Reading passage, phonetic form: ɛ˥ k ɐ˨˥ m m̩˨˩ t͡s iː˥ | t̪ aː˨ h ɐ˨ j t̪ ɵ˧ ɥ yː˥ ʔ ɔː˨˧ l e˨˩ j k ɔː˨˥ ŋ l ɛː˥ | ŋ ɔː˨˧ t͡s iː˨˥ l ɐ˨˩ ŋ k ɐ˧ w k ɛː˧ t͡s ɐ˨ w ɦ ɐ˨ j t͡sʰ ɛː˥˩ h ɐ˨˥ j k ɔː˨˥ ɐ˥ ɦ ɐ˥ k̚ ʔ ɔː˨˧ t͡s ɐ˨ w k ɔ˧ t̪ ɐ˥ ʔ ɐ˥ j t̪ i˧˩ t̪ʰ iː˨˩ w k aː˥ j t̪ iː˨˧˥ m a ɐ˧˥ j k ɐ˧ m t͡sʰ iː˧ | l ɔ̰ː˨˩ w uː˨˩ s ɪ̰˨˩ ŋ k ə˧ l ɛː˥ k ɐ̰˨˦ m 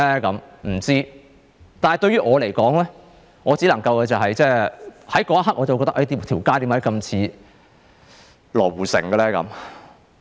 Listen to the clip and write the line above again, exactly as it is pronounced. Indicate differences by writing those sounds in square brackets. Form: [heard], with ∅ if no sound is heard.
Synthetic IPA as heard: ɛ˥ k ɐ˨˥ m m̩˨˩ t͡s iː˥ | t̪ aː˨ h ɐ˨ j t̪ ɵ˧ ɥ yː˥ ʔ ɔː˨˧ l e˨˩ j k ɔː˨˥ ŋ l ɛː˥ | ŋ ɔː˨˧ t͡s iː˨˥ l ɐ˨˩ ŋ k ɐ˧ w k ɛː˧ t͡s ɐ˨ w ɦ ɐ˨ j [t͡s] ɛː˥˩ h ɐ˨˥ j k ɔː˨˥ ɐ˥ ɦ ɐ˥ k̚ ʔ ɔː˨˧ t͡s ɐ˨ w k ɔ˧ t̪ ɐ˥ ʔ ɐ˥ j t̪ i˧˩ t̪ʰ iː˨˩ w k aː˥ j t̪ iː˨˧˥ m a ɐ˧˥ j k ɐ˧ m t͡sʰ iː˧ | l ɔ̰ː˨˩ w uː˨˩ s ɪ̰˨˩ ŋ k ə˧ l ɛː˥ k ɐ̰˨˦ m

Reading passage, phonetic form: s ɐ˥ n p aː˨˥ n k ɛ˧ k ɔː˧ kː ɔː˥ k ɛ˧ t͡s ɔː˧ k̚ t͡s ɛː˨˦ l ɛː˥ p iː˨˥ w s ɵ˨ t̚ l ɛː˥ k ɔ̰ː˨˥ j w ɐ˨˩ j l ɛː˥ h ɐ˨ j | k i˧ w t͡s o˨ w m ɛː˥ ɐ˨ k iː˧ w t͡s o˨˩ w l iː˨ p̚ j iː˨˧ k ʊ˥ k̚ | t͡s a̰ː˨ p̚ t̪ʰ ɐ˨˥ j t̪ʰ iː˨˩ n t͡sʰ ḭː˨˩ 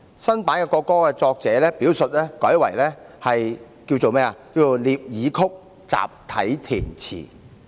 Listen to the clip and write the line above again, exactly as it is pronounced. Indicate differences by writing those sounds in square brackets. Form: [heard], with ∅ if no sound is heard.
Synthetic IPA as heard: s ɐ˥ n p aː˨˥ n k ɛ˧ k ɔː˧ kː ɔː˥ k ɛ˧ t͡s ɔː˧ k̚ t͡s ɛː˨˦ l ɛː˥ p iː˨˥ w s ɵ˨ t̚ l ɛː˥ k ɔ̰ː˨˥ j w ɐ˨˩ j l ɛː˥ h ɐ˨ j | k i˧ w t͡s o˨ w m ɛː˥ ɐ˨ k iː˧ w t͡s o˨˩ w l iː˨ p̚ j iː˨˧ [kʰ] ʊ˥ k̚ | t͡s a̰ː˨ p̚ t̪ʰ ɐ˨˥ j t̪ʰ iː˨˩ n t͡sʰ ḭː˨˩

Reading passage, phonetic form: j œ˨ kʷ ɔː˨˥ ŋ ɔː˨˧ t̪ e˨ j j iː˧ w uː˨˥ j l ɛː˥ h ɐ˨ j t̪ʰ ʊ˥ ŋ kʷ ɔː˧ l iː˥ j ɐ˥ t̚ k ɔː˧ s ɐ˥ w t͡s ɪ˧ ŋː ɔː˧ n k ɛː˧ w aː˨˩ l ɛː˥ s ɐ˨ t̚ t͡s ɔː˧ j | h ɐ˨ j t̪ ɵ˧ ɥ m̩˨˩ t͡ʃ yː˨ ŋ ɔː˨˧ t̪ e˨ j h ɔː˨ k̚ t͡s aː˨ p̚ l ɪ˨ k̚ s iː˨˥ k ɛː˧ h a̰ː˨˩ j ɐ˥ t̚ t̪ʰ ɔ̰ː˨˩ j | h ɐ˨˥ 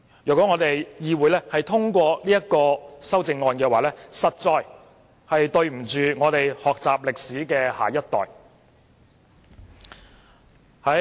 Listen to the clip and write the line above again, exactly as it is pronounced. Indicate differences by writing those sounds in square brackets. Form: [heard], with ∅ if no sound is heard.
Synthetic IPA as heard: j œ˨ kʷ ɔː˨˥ ŋ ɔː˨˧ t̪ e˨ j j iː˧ w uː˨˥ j l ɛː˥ h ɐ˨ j t̪ʰ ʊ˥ ŋ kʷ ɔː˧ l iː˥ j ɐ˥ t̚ k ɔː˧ s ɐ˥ w t͡s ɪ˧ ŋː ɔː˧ n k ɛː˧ w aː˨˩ l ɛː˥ s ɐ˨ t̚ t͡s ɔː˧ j | h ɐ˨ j t̪ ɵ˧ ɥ m̩˨˩ t͡ʃ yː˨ ŋ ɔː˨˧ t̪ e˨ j h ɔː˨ k̚ t͡s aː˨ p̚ l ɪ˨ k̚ s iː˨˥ k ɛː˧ h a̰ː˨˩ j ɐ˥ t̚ [t̪] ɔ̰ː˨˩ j | h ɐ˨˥

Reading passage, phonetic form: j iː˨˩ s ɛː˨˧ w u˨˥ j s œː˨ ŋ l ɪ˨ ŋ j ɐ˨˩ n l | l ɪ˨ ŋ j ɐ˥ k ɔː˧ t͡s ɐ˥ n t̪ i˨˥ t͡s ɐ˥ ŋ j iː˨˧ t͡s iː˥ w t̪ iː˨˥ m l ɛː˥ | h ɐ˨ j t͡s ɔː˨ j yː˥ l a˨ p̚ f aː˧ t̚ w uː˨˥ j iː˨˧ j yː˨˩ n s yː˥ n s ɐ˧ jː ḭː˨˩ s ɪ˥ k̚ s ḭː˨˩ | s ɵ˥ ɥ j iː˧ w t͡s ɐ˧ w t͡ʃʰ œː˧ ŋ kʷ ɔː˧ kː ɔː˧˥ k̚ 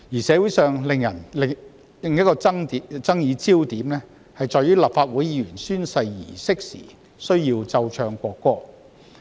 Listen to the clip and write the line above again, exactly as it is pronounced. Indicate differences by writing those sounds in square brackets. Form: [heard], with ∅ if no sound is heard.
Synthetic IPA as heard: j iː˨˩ s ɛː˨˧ w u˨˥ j s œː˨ ŋ l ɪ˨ ŋ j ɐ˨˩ n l | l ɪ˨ ŋ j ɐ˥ k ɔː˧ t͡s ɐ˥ [ŋ] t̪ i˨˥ t͡s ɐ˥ ŋ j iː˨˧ t͡s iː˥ w t̪ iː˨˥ m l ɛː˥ | h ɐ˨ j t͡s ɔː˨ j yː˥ l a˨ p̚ f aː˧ t̚ w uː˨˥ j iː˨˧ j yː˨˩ n s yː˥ n s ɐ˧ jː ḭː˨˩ s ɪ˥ k̚ s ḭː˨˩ | s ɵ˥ ɥ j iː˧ w t͡s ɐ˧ w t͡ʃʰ œː˧ ŋ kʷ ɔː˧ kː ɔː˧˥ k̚

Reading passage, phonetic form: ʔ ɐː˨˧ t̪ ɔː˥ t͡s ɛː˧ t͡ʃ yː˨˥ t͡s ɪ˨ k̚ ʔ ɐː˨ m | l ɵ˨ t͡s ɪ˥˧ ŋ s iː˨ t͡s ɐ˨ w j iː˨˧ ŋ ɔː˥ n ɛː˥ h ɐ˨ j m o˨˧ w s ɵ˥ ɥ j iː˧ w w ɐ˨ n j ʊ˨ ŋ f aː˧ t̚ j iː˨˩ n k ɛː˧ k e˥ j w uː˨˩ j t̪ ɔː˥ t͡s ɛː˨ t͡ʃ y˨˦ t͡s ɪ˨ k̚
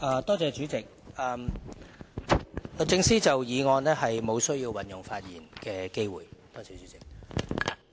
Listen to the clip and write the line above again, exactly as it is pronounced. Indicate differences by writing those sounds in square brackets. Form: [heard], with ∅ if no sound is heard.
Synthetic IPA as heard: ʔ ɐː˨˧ t̪ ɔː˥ t͡s ɛː˧ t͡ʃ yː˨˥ t͡s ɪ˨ k̚ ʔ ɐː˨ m | l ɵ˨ t͡s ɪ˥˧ ŋ s [iː˥] t͡s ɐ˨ w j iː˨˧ ŋ [ɔː˧] n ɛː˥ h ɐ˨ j m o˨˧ w s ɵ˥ ɥ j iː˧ w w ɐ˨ n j ʊ˨ ŋ f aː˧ t̚ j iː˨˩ n k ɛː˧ k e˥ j w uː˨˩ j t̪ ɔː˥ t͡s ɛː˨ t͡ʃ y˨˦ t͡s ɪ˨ k̚

